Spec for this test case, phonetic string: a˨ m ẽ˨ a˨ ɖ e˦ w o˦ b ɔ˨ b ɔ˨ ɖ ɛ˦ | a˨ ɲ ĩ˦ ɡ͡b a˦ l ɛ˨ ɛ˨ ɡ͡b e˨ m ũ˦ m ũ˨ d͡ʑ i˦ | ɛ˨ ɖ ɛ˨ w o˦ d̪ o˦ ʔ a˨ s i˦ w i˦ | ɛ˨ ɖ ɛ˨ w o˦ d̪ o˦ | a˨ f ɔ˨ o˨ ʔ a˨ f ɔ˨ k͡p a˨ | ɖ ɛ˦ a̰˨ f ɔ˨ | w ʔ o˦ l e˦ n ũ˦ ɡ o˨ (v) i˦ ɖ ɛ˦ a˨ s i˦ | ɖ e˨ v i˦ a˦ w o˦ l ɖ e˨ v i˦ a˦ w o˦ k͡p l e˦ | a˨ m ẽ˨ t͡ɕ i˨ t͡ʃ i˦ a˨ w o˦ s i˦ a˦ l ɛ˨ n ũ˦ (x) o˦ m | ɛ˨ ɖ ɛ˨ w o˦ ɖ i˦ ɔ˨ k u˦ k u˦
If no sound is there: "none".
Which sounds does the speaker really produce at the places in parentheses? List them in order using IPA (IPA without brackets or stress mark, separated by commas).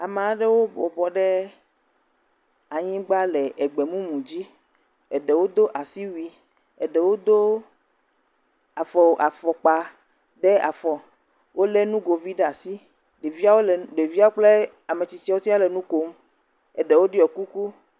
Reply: v, k